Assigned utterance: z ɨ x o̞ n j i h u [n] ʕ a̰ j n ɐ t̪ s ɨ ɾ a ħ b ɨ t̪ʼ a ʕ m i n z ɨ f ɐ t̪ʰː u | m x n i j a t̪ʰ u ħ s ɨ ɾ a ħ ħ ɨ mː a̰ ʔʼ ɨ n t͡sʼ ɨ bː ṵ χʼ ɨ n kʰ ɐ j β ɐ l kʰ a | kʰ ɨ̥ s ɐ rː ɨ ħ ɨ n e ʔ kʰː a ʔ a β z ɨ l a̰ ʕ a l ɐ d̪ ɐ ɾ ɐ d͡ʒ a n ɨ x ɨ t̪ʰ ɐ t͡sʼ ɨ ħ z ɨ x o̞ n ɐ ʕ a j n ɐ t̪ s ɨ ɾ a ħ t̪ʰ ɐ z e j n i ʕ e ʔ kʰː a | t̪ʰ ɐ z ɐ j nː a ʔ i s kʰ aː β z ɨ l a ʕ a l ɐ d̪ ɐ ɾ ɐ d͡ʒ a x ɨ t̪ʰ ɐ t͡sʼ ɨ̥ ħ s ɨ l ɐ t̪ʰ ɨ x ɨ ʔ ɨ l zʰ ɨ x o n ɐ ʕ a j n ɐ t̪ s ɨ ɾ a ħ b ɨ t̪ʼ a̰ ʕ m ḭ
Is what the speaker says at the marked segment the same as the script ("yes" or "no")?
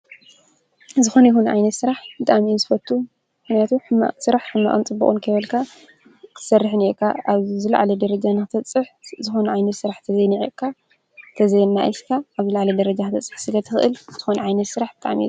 yes